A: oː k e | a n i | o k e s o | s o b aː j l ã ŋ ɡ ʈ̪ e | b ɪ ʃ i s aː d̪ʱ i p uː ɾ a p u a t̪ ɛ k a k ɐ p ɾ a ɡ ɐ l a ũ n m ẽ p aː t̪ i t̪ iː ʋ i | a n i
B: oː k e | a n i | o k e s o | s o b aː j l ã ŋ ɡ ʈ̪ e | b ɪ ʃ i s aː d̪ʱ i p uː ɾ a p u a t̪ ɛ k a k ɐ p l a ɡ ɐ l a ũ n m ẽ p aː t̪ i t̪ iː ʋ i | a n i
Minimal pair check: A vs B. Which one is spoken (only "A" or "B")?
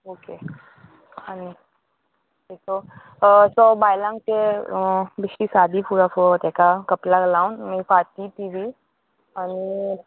B